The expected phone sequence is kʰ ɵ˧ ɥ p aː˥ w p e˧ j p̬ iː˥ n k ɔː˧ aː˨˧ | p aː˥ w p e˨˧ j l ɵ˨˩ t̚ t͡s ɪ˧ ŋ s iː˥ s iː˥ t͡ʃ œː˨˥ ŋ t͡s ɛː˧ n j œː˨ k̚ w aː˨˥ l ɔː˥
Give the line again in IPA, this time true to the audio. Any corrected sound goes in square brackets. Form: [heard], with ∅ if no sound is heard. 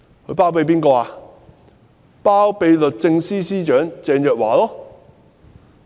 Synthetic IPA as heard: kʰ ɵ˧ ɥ p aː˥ w p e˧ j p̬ iː˥ n k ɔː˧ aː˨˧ | p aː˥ w p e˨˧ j l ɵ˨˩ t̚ t͡s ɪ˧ ŋ s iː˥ s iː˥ t͡ʃ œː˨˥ ŋ t͡s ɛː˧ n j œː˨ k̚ w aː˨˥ l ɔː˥